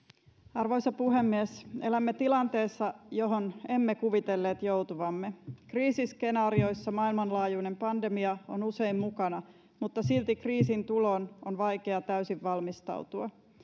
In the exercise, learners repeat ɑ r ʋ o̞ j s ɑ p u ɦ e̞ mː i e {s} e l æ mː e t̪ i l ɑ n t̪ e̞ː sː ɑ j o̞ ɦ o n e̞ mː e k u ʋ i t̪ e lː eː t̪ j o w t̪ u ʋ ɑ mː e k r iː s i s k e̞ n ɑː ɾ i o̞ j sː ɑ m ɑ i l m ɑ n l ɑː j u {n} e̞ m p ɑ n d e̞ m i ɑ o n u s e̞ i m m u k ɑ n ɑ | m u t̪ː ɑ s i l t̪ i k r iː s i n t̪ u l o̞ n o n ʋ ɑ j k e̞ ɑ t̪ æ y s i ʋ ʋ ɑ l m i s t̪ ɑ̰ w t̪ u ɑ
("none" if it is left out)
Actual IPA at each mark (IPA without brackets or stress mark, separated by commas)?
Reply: s, n